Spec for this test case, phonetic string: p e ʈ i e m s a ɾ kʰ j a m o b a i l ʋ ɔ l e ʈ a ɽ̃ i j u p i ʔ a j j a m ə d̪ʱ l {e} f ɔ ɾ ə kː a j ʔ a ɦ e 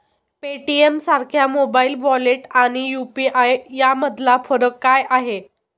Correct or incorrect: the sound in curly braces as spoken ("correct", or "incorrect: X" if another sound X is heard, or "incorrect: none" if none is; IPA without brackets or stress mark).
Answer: incorrect: a